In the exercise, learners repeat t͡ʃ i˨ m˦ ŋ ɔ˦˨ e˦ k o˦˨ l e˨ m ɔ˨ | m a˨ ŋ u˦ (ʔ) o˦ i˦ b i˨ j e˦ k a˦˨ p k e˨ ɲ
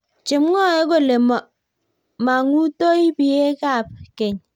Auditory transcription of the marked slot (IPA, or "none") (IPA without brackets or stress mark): t